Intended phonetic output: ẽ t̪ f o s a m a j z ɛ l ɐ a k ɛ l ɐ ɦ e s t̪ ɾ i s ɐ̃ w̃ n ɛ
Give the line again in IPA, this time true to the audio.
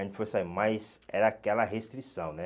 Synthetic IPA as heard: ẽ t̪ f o s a m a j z ɛ ɾ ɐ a k ɛ l ɐ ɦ e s t̪ ɾ i s ɐ̃ w̃ n ɛ